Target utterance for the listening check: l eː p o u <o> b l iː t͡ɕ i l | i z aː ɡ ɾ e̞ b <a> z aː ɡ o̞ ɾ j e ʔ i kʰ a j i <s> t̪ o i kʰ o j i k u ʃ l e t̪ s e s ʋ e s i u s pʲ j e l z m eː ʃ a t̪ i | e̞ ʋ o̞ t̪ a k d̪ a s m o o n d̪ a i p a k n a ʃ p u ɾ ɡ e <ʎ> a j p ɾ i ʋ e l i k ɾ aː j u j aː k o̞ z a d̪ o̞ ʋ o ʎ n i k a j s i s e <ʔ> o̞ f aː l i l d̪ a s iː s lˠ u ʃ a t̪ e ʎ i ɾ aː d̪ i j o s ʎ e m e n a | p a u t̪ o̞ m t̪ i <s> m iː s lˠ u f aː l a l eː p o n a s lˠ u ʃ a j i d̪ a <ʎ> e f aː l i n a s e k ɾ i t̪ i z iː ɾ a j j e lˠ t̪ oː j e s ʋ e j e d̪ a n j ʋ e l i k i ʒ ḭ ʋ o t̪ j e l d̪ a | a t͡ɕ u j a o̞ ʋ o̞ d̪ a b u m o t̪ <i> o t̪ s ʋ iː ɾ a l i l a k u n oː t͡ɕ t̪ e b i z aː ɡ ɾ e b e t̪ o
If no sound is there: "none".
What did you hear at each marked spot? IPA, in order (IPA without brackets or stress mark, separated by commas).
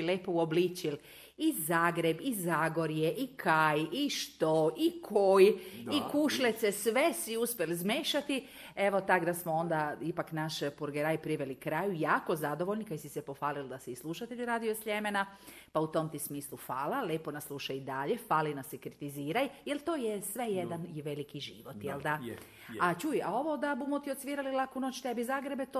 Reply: o, i, ʃ, ɾ, p, s, ʎ, i